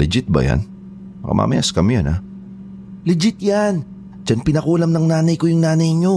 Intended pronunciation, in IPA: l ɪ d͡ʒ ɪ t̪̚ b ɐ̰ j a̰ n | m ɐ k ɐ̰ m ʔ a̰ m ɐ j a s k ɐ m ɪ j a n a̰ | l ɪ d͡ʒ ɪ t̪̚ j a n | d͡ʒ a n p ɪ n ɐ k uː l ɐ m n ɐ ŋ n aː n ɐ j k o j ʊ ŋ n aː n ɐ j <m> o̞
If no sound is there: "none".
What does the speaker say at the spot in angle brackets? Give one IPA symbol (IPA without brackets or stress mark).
ɲ